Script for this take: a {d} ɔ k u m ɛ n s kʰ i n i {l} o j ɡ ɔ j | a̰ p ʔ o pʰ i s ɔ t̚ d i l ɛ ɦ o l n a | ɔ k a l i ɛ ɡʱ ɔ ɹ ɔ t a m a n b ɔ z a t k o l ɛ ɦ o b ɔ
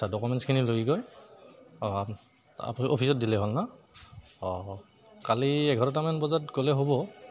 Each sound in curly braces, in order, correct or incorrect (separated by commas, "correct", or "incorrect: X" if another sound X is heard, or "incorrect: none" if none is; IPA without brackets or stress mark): correct, correct